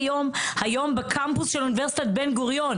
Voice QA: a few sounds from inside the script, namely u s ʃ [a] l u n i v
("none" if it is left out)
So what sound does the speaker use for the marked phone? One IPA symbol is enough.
e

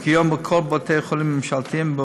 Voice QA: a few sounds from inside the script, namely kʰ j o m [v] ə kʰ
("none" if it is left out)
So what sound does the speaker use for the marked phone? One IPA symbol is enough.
b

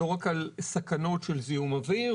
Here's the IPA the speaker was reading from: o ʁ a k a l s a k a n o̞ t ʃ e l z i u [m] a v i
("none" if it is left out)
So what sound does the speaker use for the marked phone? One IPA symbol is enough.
m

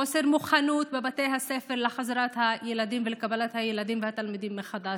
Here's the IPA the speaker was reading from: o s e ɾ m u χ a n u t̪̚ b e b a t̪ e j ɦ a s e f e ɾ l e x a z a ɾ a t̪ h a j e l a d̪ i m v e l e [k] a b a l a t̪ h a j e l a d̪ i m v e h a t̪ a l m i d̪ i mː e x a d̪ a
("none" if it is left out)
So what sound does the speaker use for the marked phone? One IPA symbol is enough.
k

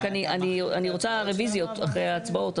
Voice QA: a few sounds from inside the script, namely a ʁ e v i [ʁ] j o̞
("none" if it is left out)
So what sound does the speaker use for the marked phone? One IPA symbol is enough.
z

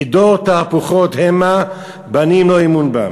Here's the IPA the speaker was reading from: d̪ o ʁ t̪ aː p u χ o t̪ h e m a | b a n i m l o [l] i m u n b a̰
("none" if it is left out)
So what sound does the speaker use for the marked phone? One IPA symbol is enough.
none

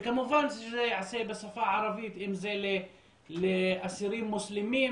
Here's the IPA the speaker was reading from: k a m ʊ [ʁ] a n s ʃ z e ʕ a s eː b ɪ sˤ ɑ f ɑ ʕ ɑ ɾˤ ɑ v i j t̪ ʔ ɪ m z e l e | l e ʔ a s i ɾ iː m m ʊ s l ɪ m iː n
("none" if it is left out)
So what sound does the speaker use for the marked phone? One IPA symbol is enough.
v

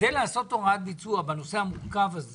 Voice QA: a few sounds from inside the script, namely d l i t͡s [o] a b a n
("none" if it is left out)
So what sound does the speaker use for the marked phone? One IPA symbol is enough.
u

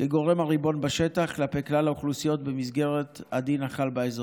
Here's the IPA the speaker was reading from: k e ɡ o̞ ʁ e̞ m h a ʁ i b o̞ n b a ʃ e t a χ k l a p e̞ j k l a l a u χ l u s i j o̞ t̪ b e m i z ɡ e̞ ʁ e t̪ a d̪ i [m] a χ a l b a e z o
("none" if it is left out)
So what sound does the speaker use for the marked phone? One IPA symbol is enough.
n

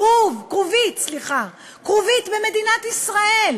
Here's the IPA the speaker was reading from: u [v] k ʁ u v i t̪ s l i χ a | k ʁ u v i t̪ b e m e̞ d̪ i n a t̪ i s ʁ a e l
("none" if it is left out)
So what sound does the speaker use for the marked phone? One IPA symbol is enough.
v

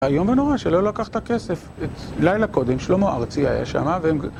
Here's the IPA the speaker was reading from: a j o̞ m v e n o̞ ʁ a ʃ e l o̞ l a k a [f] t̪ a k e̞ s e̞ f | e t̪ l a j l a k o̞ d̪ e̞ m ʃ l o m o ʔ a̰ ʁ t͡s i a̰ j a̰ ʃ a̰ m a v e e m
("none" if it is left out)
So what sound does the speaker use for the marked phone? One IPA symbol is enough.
χ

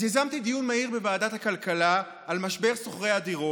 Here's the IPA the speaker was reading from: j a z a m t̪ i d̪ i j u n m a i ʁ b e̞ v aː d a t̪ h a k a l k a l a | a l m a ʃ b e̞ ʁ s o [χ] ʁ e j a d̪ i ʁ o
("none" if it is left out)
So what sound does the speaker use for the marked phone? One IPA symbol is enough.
χ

